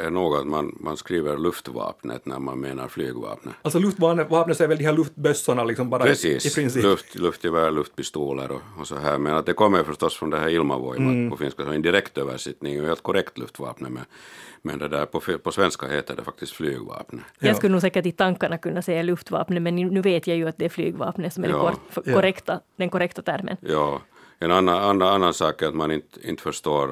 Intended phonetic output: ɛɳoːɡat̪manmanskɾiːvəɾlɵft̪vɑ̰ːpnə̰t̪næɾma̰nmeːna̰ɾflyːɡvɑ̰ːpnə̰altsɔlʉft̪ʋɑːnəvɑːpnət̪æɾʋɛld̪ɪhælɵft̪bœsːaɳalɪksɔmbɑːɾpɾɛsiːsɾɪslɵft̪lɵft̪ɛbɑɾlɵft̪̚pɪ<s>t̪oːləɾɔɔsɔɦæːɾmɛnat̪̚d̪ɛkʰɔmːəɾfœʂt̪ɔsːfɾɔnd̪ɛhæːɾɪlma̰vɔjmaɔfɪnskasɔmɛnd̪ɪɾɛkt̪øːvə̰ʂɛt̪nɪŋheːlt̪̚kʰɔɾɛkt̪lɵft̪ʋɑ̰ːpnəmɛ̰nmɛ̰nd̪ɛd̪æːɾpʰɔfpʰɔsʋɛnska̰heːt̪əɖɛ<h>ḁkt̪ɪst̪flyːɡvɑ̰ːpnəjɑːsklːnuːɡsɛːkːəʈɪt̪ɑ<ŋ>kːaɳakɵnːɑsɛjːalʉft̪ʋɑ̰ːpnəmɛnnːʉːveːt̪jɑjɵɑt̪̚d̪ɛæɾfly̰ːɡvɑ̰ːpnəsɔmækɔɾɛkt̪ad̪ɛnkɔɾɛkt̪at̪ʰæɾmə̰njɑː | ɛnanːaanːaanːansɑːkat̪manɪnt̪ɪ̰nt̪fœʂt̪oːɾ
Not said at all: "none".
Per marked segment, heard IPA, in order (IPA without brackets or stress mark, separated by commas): s, f, ŋ